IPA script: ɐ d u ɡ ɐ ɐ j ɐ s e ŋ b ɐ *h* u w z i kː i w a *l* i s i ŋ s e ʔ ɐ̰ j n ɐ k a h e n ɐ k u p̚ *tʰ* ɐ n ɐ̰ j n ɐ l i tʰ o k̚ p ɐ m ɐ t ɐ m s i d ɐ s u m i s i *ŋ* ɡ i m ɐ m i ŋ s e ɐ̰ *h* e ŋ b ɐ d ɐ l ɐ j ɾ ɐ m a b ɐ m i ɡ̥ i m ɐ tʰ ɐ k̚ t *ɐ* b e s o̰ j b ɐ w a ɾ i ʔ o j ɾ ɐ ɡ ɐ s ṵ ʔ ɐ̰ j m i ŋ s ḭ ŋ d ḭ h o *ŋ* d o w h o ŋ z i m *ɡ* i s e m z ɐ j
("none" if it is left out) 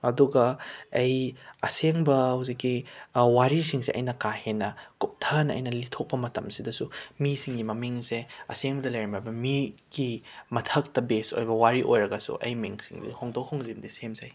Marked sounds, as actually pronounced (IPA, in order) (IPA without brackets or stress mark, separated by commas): h, ɾ, tʰ, ŋ, s, ɐ, ŋ, d